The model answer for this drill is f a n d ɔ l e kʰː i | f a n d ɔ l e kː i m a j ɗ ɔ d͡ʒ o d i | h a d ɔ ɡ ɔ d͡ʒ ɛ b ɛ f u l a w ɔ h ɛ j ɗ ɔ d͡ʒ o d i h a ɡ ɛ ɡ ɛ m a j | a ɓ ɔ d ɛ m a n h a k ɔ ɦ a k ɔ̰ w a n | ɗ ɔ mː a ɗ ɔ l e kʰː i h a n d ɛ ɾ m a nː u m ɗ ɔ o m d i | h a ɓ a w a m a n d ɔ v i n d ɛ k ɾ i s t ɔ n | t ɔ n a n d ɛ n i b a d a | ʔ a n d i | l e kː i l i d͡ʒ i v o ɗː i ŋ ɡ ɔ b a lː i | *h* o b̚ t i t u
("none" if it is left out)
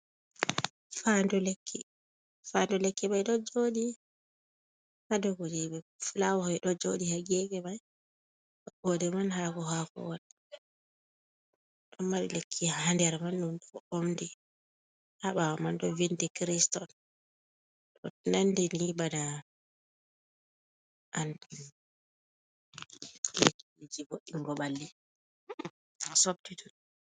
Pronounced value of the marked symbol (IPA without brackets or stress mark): s